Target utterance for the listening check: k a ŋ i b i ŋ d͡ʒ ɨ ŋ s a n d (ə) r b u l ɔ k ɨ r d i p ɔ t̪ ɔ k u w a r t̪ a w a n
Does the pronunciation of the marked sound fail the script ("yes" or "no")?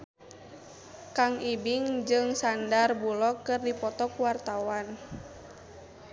yes